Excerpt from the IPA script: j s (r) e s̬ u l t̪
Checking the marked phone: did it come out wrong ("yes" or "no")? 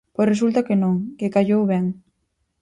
no